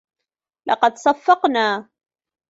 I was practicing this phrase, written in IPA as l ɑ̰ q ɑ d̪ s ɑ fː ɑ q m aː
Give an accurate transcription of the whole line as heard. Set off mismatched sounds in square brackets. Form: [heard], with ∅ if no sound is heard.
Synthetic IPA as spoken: l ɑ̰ q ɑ d̪ s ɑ fː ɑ q [n] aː